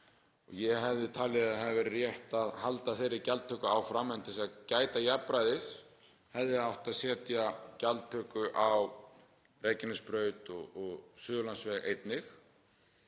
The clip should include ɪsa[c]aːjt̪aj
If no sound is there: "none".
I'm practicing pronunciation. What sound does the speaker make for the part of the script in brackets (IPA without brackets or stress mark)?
c